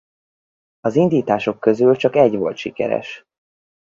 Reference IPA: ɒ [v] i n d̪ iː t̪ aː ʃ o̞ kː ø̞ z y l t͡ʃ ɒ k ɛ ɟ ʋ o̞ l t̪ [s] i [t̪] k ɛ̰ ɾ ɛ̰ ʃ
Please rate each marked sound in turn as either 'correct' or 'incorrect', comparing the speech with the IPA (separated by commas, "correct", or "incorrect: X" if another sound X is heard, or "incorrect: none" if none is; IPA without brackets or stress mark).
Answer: incorrect: z, incorrect: ʃ, incorrect: none